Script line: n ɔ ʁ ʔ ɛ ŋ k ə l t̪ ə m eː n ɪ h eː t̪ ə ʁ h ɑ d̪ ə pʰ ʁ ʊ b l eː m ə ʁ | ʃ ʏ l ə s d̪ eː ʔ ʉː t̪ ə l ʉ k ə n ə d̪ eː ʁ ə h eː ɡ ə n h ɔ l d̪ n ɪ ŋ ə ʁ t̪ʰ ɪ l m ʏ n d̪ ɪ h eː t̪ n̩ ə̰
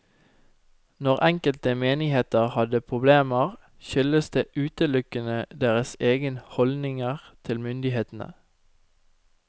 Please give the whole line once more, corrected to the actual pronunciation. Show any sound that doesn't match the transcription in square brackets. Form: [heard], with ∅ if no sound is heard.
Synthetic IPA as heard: n ɔ ʁ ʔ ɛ ŋ k ə l t̪ ə m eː n ɪ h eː t̪ ə ʁ h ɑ d̪ ə pʰ ʁ ʊ b l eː m ə ʁ | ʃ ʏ l ə s d̪ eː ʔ ʉː t̪ ə l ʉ k ə n ə d̪ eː ʁ ə [s] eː ɡ ə n h ɔ l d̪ n ɪ ŋ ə ʁ t̪ʰ ɪ l m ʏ n d̪ ɪ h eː t̪ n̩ ə̰